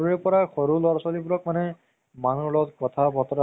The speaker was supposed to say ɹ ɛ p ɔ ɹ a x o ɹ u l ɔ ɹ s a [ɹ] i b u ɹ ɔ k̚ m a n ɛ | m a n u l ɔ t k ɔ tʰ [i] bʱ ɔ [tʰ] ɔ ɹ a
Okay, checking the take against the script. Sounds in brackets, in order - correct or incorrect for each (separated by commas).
incorrect, incorrect, incorrect